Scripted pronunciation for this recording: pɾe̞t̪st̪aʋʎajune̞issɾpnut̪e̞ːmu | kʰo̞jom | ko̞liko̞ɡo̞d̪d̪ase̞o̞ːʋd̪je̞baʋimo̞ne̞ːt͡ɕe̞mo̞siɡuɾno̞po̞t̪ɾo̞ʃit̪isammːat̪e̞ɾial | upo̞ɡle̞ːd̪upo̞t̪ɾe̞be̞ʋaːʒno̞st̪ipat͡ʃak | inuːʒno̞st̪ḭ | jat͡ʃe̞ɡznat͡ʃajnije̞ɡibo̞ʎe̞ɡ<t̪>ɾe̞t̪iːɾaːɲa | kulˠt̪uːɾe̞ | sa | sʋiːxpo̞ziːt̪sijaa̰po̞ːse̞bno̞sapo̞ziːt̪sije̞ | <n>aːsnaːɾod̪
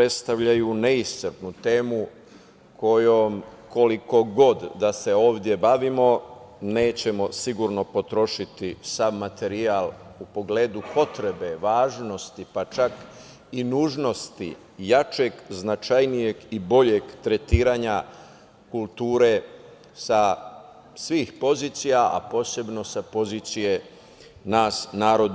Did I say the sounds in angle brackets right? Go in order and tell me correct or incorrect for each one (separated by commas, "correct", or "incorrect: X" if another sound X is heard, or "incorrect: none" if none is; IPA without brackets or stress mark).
correct, correct